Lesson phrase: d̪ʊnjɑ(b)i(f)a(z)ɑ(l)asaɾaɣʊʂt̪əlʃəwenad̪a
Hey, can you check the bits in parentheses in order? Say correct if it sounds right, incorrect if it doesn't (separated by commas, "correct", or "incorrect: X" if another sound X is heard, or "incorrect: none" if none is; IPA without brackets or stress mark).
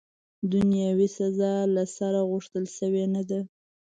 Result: incorrect: w, incorrect: s, correct, correct